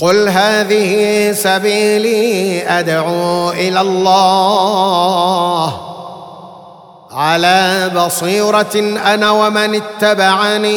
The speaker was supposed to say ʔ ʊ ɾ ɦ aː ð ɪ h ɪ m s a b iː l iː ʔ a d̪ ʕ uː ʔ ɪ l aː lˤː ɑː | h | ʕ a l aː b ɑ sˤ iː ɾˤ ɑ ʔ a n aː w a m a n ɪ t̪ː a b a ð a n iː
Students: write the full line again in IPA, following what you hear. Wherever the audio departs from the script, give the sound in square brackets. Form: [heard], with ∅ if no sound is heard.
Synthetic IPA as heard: [q] ʊ [l] ɦ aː ð ɪ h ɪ [∅] s a b iː l iː ʔ a d̪ ʕ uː ʔ ɪ l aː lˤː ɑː | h | ʕ a l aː b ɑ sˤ iː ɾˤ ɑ ʔ a n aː w a m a n ɪ t̪ː a b a [ʕ] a n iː